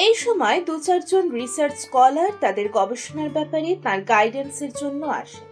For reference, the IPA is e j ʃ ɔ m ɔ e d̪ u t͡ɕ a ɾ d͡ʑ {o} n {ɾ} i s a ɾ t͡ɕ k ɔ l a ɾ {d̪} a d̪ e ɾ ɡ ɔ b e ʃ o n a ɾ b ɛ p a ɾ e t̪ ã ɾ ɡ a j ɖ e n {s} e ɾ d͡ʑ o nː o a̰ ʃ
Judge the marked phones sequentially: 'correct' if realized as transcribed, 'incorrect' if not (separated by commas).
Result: correct, correct, incorrect, correct